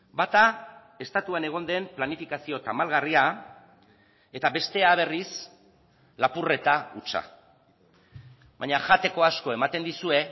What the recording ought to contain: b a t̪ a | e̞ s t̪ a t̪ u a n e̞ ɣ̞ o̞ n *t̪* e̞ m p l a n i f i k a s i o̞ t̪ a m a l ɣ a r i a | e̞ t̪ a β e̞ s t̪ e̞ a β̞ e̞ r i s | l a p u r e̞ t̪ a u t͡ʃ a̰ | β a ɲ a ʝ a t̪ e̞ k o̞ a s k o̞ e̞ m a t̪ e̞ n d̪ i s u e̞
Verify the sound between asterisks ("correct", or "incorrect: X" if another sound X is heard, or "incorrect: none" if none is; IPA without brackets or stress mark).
incorrect: d̪